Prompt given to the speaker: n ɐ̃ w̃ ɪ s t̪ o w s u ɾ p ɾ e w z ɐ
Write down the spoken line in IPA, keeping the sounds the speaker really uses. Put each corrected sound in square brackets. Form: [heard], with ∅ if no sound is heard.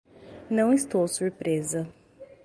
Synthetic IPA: n ɐ̃ w̃ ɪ s t̪ o w s u ɾ p ɾ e [∅] z ɐ